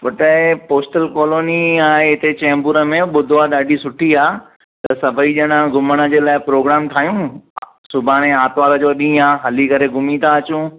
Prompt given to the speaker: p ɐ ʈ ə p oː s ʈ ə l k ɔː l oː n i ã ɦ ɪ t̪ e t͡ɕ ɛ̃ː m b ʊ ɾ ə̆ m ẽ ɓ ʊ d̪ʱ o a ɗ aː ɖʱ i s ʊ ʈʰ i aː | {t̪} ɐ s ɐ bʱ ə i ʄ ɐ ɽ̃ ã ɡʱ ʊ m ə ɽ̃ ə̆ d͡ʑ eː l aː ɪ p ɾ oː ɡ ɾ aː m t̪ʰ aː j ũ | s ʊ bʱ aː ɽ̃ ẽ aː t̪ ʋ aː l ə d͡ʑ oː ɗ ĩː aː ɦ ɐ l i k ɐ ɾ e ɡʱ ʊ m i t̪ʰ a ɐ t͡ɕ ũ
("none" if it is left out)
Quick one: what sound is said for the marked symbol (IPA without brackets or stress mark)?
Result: t̪